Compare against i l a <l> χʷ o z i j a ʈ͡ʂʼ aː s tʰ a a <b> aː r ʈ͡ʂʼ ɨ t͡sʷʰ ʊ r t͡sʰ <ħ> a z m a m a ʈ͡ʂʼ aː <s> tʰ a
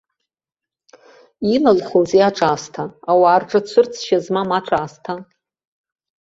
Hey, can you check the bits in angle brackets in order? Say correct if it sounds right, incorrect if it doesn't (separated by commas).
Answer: correct, incorrect, incorrect, correct